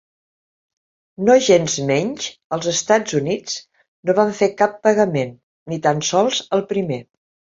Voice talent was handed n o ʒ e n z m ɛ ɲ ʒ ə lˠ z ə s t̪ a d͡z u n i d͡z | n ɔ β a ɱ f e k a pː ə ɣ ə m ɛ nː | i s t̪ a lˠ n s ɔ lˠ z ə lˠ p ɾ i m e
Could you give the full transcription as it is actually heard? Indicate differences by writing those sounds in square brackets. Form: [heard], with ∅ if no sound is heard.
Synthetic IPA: n o ʒ e n z m ɛ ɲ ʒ ə lˠ z ə s t̪ a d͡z u n i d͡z | n [o] β a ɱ f e k a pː ə ɣ ə m [e] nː | i [∅] t̪ a [∅] n s ɔ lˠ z ə lˠ p ɾ i m e